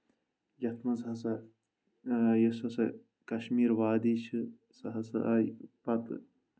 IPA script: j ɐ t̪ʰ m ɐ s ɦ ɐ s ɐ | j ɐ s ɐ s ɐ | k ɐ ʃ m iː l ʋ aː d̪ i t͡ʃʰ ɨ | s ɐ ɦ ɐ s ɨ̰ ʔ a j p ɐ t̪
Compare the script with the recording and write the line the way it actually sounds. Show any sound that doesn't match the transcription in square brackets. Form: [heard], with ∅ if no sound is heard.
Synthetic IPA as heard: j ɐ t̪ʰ m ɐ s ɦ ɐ s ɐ | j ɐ s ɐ s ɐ | k ɐ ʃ m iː [ɾ] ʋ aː d̪ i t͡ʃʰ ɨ | s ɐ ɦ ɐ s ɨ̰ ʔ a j p ɐ t̪